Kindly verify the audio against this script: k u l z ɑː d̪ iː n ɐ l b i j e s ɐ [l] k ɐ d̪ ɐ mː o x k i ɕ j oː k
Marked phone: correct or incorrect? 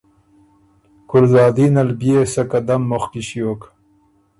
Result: incorrect